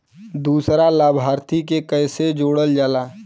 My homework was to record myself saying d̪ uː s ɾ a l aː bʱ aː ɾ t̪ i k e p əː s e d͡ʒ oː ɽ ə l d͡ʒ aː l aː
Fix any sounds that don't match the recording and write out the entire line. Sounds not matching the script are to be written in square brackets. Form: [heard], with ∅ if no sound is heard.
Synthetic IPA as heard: d̪ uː s ɾ a l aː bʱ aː ɾ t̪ i k e [k] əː s e d͡ʒ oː ɽ ə l d͡ʒ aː l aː